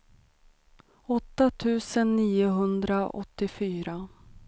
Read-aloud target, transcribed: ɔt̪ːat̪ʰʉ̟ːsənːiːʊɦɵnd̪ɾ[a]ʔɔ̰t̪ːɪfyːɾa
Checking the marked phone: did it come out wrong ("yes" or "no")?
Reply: no